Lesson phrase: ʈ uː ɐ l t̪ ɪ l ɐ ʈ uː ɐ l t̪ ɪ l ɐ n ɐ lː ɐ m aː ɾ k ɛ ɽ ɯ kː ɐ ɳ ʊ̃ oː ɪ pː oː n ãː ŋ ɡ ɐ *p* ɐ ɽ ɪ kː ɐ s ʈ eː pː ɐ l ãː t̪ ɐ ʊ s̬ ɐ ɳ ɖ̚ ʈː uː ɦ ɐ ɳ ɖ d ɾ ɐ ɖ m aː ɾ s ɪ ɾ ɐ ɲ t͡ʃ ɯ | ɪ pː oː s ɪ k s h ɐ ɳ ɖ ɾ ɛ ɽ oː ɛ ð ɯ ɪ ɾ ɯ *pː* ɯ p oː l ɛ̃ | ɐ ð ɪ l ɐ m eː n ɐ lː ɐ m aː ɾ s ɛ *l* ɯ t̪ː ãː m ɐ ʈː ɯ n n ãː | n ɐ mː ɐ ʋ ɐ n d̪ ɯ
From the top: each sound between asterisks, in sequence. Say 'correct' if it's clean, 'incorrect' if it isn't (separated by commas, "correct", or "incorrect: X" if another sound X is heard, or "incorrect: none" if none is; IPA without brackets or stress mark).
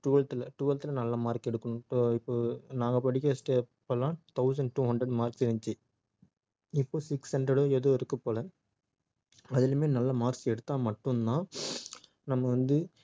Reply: correct, incorrect: kː, incorrect: ɽ